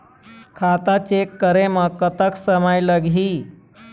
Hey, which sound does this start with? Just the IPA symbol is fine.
kʰ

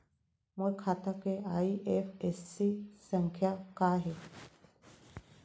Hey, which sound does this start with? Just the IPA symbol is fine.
m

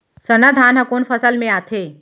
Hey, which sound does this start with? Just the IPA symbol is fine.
s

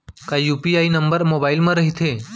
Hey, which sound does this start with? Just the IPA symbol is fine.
k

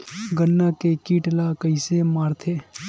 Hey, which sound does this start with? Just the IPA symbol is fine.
ɡ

